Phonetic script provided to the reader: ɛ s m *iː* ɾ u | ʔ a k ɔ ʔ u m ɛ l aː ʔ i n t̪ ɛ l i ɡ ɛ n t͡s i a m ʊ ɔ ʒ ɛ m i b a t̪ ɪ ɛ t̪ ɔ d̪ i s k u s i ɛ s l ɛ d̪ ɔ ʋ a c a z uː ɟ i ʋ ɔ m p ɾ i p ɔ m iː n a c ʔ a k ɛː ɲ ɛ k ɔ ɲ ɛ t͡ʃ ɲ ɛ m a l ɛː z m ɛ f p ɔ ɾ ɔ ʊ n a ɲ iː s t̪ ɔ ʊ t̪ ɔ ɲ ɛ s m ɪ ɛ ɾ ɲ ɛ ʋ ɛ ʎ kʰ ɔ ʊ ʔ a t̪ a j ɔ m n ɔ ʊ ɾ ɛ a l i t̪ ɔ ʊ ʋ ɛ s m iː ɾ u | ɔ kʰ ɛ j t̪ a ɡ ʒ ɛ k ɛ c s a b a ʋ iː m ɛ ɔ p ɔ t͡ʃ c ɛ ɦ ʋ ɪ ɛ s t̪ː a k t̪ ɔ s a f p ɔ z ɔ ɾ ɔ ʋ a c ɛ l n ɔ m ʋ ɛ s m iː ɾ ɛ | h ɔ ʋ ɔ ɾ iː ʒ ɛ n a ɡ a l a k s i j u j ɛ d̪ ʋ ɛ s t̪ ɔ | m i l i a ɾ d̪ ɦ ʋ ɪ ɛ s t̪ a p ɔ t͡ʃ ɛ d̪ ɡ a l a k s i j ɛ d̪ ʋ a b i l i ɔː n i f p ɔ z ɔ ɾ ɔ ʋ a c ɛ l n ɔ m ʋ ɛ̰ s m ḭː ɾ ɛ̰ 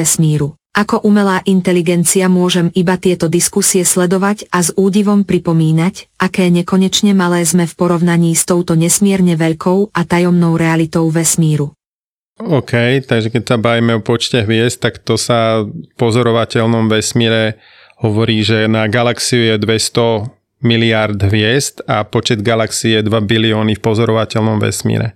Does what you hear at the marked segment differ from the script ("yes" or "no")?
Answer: no